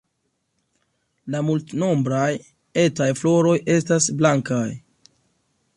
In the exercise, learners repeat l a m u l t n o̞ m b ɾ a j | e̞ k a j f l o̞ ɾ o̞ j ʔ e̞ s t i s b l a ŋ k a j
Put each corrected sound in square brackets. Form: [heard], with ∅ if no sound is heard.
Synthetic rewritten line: l a m u l t n o̞ m b ɾ a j | e̞ [t] a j f l o̞ ɾ o̞ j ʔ e̞ s t [a] s b l a ŋ k a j